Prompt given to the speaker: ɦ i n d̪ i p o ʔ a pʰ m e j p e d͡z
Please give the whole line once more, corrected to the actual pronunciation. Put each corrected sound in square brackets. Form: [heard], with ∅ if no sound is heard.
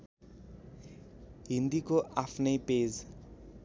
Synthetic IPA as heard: ɦ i n d̪ i [k] o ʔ a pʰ [n] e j p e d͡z